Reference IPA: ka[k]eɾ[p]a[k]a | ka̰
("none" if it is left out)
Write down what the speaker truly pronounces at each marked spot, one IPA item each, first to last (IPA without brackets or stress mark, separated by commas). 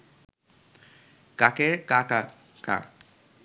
k, k, k